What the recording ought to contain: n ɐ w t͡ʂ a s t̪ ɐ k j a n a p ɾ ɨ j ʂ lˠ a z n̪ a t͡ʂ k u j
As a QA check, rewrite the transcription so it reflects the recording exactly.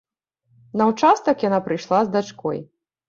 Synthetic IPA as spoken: n ɐ w t͡ʂ a s t̪ ɐ k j a n a p ɾ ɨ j ʂ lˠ a z d̪ a t͡ʂ k ɔ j